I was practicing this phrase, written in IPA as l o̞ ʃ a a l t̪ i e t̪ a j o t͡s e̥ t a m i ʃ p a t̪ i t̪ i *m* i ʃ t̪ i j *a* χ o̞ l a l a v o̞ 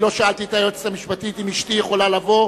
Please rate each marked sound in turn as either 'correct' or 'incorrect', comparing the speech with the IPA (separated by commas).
correct, incorrect